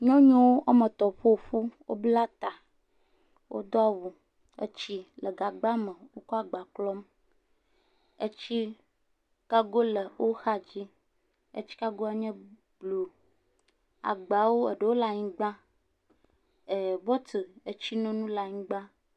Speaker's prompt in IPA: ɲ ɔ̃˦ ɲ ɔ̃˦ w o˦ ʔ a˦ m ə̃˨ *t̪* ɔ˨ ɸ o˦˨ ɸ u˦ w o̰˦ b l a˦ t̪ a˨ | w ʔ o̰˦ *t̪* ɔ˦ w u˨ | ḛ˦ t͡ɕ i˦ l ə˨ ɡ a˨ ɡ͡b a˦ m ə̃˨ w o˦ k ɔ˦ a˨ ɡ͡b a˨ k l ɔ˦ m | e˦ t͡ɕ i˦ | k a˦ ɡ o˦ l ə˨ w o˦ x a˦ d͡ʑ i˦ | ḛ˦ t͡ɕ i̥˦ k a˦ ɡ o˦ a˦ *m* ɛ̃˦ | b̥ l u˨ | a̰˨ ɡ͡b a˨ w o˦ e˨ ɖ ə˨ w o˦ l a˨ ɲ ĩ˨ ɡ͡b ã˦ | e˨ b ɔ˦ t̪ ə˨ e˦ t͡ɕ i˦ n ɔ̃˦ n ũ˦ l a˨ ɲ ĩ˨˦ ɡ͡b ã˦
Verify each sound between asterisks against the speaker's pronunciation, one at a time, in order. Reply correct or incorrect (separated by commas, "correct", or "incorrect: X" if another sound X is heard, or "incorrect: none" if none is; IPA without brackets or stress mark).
correct, incorrect: d̪, incorrect: ɲ